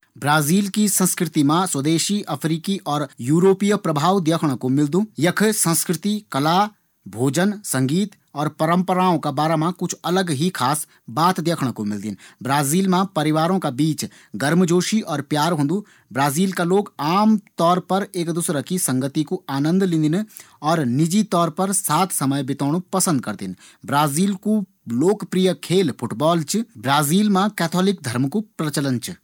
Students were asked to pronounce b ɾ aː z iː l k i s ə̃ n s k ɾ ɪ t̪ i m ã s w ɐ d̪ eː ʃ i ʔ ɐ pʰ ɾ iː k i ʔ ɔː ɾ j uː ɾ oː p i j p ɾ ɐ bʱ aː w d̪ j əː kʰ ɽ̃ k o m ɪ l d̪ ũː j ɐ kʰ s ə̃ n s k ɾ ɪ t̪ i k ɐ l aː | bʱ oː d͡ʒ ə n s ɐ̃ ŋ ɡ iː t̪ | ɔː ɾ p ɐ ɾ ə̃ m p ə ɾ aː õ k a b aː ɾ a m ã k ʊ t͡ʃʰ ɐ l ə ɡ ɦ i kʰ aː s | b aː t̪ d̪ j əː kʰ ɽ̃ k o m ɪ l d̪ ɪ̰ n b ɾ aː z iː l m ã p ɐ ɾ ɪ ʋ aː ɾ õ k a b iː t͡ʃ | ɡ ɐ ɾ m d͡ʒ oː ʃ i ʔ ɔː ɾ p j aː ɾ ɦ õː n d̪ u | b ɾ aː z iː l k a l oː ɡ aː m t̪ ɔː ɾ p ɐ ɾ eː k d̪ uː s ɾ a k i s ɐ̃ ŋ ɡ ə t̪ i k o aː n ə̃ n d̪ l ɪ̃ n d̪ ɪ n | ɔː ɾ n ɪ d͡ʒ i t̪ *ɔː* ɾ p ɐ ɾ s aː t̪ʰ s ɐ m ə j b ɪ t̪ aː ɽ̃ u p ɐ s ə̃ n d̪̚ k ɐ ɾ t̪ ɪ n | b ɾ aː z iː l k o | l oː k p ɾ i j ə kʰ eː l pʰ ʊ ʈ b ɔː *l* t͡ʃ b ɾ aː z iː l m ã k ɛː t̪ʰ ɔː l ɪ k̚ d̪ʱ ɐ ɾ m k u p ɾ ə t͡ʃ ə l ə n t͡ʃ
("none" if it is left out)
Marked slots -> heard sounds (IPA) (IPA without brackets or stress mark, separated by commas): ɔː, l